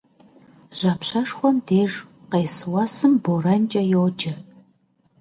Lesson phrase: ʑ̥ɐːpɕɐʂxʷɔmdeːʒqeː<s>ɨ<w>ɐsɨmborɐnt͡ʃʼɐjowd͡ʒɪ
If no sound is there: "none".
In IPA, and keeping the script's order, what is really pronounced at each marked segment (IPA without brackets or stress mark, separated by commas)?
s, w